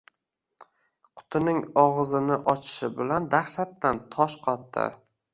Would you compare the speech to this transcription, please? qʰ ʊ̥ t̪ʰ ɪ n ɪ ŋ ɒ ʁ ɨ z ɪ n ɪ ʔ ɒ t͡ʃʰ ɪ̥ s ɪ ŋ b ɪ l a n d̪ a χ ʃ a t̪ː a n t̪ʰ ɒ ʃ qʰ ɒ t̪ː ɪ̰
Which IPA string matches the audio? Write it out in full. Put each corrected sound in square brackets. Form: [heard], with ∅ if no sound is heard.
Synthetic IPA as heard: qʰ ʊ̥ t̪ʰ ɪ n ɪ ŋ ɒ ʁ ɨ z ɪ n ɪ ʔ ɒ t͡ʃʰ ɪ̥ [ʃ] ɪ [∅] b ɪ l a n d̪ a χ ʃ a t̪ː a n t̪ʰ ɒ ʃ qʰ ɒ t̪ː ɪ̰